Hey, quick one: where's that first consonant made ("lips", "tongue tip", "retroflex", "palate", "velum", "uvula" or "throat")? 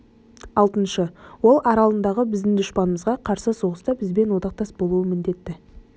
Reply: tongue tip